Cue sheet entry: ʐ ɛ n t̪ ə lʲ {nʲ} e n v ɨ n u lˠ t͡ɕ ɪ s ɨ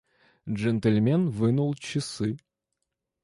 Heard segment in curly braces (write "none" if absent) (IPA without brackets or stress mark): mʲ